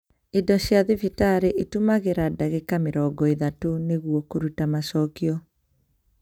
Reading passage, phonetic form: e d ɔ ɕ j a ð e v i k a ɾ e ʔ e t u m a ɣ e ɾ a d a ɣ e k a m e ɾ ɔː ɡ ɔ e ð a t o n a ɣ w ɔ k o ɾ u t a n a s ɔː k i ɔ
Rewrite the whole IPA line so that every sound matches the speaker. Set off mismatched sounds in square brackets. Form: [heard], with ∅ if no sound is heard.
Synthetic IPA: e d ɔ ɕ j a ð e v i [t] a ɾ e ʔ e t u m a ɣ e ɾ a d a ɣ e k a m e ɾ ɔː ɡ ɔ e ð a t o n [e] ɣ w ɔ k o ɾ u t a [m] a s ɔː k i ɔ